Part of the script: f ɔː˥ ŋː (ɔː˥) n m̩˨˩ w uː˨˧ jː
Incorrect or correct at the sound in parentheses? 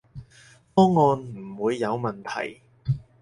incorrect: ɔː˧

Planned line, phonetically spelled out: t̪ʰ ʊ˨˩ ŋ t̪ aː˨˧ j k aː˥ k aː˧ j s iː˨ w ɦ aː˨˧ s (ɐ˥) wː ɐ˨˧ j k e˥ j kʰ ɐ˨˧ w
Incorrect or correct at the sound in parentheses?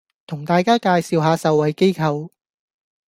incorrect: ɐ˨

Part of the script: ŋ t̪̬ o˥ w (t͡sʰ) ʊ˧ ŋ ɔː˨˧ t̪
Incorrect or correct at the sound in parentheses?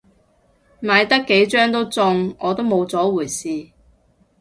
incorrect: t͡s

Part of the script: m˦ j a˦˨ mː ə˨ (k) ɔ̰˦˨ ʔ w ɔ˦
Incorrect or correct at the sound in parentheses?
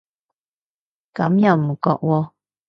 correct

